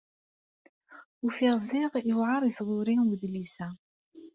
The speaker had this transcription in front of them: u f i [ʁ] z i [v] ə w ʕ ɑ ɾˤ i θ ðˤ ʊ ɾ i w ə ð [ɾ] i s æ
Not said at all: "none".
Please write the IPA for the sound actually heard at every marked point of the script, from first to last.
ʁ, ʁ, l

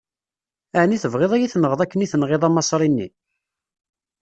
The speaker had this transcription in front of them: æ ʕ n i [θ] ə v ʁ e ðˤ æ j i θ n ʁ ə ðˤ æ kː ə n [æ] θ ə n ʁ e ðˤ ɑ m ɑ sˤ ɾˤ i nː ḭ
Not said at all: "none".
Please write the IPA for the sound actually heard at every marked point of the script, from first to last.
θ, i

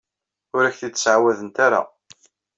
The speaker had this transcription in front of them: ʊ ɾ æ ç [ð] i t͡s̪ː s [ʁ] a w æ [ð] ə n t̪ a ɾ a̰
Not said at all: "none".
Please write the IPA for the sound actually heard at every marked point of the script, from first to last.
θ, ʕ, ð

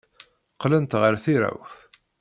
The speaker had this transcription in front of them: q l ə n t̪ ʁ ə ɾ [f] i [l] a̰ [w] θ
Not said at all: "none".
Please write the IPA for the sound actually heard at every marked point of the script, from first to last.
θ, ɾ, w

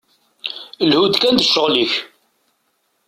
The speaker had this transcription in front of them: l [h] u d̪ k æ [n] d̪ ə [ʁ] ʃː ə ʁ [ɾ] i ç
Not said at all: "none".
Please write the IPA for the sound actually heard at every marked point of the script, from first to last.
h, n, none, l

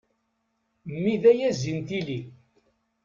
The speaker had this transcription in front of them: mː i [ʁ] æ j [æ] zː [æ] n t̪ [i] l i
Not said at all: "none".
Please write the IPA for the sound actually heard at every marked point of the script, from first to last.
ð, æ, i, i

